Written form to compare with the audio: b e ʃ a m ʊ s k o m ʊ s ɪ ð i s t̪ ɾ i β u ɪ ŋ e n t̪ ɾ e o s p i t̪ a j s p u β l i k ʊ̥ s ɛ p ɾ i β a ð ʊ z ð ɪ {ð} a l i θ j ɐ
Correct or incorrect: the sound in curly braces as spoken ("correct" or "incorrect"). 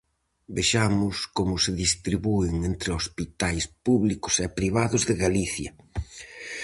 incorrect